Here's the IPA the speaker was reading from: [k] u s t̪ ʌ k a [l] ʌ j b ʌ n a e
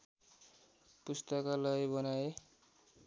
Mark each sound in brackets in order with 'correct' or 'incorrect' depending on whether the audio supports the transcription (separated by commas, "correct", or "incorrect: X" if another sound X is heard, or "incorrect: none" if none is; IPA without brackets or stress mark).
incorrect: p, correct